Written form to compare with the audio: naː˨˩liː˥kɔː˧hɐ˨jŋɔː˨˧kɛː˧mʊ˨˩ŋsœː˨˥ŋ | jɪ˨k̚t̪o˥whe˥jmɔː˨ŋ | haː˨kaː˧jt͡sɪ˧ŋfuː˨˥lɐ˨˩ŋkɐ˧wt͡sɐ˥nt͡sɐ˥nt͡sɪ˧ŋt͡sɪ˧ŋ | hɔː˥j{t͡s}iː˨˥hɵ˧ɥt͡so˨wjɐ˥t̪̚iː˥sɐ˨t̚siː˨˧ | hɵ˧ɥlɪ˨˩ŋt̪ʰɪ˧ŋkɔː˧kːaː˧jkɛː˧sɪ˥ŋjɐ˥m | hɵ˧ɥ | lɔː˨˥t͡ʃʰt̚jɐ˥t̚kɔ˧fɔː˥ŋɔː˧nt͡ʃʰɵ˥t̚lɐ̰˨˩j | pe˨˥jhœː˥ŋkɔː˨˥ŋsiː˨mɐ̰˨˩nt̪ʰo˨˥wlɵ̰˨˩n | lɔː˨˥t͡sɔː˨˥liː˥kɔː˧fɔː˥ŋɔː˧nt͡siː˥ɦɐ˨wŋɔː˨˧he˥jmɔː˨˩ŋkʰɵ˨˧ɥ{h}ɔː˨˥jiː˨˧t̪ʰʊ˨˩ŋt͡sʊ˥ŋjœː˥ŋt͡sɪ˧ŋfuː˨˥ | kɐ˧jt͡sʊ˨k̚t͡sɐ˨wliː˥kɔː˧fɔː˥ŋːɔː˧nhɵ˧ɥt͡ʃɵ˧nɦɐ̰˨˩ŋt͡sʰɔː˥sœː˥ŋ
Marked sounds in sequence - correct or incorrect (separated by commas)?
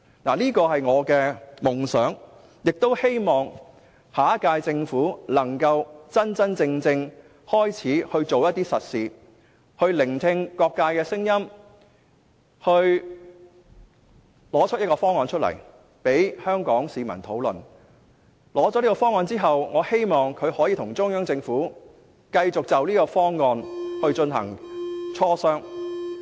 incorrect, correct